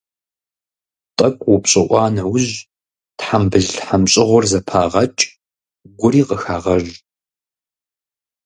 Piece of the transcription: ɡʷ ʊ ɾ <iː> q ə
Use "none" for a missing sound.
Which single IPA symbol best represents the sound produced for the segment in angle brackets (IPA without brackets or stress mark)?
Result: iː